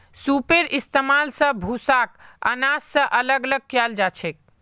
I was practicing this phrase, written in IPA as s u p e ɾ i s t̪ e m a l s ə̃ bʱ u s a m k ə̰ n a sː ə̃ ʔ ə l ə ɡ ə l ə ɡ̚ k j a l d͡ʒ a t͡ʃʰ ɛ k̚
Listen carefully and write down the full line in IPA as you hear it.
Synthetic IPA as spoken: s u p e ɾ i s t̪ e m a l s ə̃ bʱ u s a k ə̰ n a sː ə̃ ʔ ə l ə ɡ ə l ə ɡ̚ k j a l d͡ʒ a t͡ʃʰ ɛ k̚